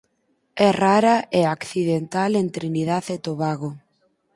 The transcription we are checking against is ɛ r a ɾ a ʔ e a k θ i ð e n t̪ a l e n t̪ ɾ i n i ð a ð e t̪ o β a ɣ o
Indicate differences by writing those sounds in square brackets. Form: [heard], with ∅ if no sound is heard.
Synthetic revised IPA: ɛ r a ɾ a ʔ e a k θ i ð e n t̪ a l e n t̪ ɾ i n i ð a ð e t̪ o β a ɣ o

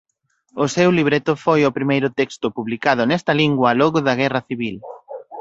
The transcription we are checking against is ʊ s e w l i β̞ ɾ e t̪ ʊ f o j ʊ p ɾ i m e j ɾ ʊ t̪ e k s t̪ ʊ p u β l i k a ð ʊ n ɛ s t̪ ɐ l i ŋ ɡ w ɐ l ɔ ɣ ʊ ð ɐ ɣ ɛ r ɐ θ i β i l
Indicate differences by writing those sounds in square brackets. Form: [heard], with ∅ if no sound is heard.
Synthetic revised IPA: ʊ s e w l i β̞ ɾ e t̪ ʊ f o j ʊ p ɾ i m e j ɾ ʊ t̪ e k s t̪ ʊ p u β l i k a ð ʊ n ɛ s t̪ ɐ l i ŋ ɡ w ɐ l ɔ ɣ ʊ ð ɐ ɣ ɛ r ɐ θ i β i l

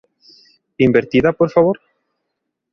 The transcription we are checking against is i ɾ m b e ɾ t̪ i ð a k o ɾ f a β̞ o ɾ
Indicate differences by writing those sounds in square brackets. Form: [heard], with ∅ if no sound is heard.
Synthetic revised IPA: i [∅] m b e ɾ t̪ i ð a [p] o ɾ f a β̞ o ɾ

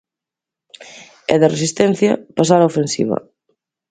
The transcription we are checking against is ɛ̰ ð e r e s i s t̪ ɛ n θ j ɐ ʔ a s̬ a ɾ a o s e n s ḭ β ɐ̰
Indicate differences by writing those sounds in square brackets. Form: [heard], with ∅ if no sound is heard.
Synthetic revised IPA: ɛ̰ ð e r e s i s t̪ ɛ n θ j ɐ [p] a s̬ a ɾ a o [f] e n s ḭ β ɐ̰

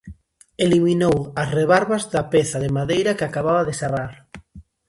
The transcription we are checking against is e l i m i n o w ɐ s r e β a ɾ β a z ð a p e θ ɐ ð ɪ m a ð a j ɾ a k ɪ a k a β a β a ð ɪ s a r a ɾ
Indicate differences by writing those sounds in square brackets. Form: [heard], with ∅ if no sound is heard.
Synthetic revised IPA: e l i m i n o w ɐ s r e β a ɾ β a z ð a p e θ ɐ ð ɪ m a ð [e] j ɾ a k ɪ a k a β a β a ð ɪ s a r a ɾ

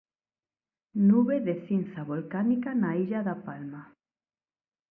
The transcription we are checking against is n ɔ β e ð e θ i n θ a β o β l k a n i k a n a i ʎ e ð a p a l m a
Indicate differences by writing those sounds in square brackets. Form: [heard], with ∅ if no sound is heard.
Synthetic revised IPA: n [u] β e ð e θ i n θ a β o [∅] l k a n i k a n a i ʎ [a] ð a p a l m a

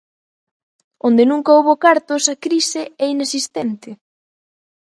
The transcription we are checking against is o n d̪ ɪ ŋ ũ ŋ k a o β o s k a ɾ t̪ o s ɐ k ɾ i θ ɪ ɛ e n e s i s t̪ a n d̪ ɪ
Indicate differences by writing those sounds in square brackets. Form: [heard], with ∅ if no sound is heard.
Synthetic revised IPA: o n d̪ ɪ [n] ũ ŋ k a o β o [∅] k a ɾ t̪ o s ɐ k ɾ i [s] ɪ ɛ [i] n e s i s t̪ [ɛ] n [t̪] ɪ

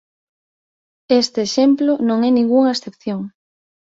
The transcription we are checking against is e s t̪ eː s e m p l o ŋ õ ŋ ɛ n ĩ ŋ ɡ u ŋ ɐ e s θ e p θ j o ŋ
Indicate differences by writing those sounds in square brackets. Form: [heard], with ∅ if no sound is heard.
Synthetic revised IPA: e s t̪ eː [ʃ] e m p l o [n] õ ŋ ɛ n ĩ ŋ ɡ u ŋ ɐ e s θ e p θ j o ŋ

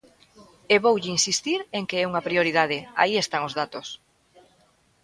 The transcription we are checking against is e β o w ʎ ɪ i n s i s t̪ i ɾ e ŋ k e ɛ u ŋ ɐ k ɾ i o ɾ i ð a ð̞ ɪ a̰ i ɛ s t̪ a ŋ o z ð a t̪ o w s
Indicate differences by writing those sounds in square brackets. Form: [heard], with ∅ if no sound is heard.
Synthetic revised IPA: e β o w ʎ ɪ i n s i s t̪ i ɾ e ŋ k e ɛ u ŋ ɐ [p] ɾ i o ɾ i ð a ð̞ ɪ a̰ i [e] s t̪ a ŋ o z ð a t̪ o [∅] s

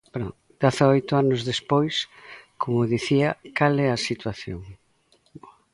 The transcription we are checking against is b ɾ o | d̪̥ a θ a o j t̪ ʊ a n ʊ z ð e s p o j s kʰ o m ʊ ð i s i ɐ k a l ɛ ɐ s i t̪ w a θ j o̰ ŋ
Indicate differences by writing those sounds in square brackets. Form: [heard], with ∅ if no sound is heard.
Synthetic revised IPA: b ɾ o | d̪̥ a θ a o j t̪ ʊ a n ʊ z ð e s p o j s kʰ o m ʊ ð i [θ] i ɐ k a l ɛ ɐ s i t̪ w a θ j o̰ ŋ

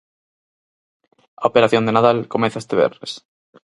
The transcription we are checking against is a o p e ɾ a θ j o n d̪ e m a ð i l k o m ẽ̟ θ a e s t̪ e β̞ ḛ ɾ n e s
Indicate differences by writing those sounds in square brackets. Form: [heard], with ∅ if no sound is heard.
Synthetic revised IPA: a o p e ɾ a θ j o n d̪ e [n] a ð [a] l k o m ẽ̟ θ a e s t̪ e β̞ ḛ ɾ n e s

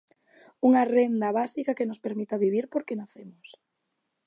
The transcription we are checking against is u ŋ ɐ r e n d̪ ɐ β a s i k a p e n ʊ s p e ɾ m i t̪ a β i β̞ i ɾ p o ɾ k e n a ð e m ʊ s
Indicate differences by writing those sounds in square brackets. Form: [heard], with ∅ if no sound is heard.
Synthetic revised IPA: u ŋ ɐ r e n d̪ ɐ β a s i k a [k] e n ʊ s p e ɾ m i t̪ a β i β̞ i ɾ p o ɾ k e n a [θ] e m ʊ s

